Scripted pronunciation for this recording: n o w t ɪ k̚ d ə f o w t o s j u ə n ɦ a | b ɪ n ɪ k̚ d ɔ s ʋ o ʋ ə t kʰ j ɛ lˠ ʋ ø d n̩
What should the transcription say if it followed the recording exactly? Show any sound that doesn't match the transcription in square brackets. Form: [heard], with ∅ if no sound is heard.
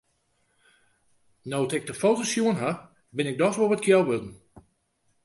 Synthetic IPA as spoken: n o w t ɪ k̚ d ə f o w t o s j u ə n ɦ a | b ɪ n ɪ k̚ d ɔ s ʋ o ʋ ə t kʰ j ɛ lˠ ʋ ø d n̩